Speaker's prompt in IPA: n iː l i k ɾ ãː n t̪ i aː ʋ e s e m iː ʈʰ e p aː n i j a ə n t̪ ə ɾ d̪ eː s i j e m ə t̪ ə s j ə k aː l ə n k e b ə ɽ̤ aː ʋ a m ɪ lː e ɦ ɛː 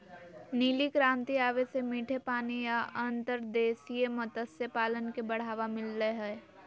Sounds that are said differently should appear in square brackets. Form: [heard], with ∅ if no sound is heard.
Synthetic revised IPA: n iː l i k ɾ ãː n t̪ i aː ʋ e s e m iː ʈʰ e p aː n i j a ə n t̪ ə ɾ d̪ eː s i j e m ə t̪ ə s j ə [p] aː l ə n k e b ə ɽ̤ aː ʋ a m ɪ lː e ɦ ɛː